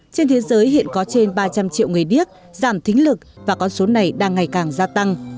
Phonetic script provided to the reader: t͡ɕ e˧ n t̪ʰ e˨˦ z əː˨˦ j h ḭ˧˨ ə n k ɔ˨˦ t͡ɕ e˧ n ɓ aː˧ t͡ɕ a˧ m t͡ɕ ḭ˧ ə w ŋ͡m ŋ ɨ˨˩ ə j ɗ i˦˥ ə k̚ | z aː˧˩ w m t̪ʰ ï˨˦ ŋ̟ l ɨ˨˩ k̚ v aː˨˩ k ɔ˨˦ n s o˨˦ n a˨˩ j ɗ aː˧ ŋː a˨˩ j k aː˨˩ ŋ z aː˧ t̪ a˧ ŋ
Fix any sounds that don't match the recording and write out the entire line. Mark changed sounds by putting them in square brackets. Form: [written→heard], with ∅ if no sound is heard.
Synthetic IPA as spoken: t͡ɕ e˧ n t̪ʰ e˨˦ z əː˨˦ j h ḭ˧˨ ə n k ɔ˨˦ t͡ɕ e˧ n ɓ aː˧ t͡ɕ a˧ m t͡ɕ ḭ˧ ə w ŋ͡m ŋ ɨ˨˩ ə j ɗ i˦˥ ə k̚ | z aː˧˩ [w→∅] m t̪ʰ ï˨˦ ŋ̟ l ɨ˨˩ k̚ v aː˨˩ k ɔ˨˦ n s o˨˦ n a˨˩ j ɗ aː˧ ŋː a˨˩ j k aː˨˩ ŋ z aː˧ t̪ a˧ ŋ